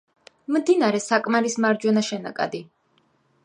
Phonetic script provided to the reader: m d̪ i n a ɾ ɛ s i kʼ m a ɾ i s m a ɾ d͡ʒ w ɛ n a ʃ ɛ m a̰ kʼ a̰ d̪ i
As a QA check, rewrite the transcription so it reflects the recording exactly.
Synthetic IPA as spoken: m d̪ i n a ɾ ɛ s a kʼ m a ɾ i s m a ɾ d͡ʒ w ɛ n a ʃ ɛ n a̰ kʼ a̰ d̪ i